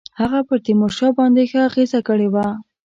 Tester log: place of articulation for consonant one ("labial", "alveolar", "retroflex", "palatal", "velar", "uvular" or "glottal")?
glottal